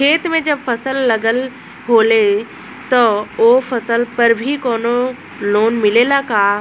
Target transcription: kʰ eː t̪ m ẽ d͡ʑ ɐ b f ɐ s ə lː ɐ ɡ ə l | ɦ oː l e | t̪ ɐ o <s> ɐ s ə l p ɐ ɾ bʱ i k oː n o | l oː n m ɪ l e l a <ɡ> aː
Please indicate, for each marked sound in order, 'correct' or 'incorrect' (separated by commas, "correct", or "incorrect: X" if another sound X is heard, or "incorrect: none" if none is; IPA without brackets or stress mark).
incorrect: f, incorrect: k